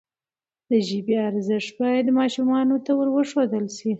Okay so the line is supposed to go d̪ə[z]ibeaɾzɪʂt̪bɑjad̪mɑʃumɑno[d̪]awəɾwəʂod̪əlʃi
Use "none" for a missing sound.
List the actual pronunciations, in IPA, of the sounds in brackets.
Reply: ʒ, t̪

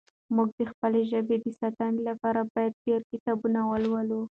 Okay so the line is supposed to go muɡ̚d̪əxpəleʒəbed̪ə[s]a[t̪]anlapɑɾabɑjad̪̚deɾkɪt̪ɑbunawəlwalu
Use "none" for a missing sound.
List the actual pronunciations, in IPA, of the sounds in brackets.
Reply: s, t̪

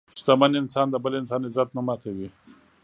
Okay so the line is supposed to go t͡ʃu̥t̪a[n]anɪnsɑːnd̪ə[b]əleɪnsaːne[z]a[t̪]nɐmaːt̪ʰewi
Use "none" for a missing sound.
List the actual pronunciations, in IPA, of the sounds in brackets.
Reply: m, b, z, t̪

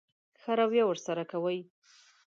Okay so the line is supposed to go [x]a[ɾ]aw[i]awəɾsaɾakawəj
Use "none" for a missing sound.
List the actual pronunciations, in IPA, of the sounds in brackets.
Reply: x, ɾ, j

